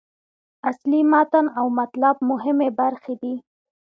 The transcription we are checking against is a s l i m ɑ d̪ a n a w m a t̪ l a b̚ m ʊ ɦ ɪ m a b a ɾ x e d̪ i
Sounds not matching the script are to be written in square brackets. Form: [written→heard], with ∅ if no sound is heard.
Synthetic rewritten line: a s l i m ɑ [d̪→t̪] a n a w m a t̪ l a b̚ m ʊ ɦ ɪ m [a→e] b a ɾ x e d̪ i